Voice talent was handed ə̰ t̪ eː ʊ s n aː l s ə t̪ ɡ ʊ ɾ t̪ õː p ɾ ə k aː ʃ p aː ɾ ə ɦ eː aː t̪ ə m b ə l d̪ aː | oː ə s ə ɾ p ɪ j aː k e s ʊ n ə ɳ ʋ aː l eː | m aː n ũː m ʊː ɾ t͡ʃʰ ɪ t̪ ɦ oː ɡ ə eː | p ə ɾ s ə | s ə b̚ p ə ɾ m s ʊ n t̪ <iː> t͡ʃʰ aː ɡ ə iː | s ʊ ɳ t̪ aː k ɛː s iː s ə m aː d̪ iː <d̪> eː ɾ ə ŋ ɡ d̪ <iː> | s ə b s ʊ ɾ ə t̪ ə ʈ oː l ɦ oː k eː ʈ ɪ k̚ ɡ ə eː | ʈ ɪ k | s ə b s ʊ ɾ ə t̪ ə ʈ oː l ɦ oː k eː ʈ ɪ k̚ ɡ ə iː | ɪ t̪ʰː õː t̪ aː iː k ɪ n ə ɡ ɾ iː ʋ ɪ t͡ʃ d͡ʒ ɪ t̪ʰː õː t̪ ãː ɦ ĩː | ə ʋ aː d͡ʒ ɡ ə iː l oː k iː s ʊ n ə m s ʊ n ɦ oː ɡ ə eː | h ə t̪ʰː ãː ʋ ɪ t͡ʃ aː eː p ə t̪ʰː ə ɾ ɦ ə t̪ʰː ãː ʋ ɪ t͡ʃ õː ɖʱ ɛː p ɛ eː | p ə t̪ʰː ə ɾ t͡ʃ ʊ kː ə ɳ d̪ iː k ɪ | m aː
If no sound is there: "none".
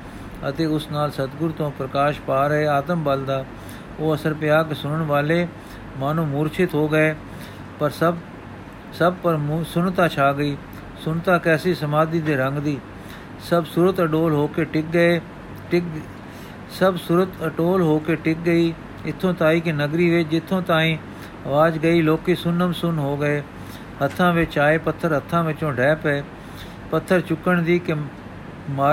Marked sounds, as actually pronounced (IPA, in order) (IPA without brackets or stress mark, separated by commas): aː, d̪, iː